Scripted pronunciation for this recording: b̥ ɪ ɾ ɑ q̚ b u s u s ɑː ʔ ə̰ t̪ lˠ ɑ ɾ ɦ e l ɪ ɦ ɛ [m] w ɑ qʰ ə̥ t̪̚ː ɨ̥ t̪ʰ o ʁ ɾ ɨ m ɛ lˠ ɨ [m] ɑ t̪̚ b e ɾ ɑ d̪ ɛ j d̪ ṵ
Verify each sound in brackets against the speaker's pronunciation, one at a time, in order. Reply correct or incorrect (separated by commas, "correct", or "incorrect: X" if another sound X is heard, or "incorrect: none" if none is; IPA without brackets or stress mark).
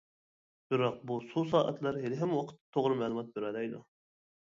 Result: correct, correct